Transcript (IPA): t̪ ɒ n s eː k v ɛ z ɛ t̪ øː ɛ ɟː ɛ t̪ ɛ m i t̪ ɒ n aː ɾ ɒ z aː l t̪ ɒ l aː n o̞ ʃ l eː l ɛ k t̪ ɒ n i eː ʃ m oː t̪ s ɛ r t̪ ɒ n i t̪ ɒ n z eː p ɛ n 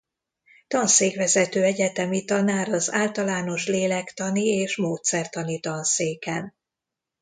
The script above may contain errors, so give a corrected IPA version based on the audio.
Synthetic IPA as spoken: t̪ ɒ n s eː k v ɛ z ɛ t̪ øː ɛ ɟ ɛ t̪ ɛ m i t̪ ɒ n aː ɾ ɒ z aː l t̪ ɒ l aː n o̞ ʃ l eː l ɛ k t̪ ɒ n i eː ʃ m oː t̪ s ɛ r t̪ ɒ n i t̪ ɒ n s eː k ɛ n